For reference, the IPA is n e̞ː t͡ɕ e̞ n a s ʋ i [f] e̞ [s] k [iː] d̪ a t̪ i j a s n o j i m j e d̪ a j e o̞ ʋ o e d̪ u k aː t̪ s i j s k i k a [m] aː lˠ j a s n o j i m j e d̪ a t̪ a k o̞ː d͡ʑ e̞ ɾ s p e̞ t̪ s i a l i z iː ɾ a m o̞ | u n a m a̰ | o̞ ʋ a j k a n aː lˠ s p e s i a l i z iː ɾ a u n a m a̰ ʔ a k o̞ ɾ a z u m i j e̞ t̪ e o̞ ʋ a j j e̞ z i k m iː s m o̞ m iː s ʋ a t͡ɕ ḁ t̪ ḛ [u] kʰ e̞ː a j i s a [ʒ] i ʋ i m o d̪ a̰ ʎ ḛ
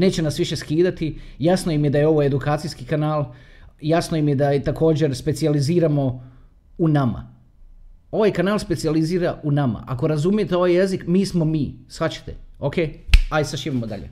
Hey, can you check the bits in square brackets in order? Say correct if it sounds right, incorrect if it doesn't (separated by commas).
incorrect, correct, correct, incorrect, incorrect, incorrect